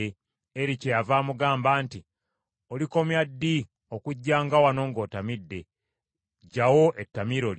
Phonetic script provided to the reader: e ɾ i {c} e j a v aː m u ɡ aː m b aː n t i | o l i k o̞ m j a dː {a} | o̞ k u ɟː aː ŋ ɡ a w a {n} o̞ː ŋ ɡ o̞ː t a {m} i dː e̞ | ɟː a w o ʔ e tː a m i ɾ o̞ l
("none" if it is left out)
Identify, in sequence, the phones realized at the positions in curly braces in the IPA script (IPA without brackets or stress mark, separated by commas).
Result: c, i, n, m